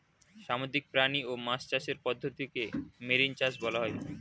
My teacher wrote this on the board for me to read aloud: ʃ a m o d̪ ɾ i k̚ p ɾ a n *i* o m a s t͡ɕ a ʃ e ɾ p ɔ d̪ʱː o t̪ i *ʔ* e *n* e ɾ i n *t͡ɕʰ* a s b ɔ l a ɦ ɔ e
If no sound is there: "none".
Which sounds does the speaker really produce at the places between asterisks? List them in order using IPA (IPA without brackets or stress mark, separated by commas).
i, k, m, t͡ɕ